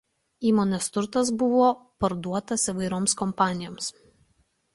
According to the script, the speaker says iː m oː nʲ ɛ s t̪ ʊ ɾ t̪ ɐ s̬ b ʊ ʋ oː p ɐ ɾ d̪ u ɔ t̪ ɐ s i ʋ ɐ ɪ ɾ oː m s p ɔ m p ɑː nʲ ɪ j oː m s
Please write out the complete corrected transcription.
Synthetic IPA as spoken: iː m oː nʲ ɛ s t̪ ʊ ɾ t̪ ɐ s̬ b ʊ ʋ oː p ɐ ɾ d̪ u ɔ t̪ ɐ s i ʋ ɐ ɪ ɾ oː m s k ɔ m p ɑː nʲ ɪ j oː m s